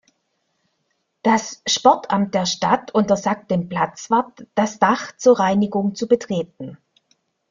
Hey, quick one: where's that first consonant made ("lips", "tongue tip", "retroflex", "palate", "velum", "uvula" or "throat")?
tongue tip